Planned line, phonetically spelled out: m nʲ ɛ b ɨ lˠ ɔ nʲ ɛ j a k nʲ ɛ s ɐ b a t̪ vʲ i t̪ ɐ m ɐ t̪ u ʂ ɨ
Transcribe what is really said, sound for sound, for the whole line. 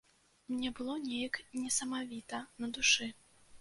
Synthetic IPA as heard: m nʲ ɛ b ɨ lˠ ɔ nʲ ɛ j ɐ k nʲ ɛ s ɐ m a vʲ i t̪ ɐ n ɐ d̪ u ʂ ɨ